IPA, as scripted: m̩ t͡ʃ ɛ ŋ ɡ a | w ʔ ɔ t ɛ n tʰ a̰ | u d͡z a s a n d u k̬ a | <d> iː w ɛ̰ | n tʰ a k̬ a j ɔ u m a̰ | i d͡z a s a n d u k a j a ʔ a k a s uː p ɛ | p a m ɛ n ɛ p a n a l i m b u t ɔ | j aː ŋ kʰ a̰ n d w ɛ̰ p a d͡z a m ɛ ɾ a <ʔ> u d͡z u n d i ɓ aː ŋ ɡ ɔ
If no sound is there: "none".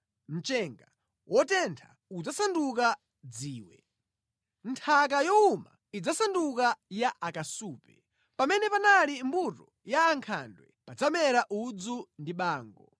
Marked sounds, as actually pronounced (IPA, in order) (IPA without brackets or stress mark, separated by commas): d͡z, ʔ